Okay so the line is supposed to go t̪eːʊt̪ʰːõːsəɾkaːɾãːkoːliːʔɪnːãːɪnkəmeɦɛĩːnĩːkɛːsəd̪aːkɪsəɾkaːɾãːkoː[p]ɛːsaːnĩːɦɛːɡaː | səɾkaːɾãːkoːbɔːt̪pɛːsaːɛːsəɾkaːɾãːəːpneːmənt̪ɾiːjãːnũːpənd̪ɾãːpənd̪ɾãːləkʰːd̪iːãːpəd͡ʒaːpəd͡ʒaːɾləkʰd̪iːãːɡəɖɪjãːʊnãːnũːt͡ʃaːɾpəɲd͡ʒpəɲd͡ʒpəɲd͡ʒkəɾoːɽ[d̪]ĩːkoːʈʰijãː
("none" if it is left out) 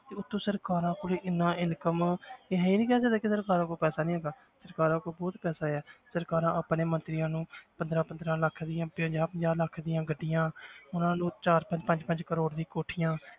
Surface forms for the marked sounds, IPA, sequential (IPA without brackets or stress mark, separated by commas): p, d̪